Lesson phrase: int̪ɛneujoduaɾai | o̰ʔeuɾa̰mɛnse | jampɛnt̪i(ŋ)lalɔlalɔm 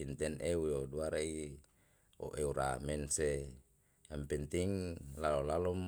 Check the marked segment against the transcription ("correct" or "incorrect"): correct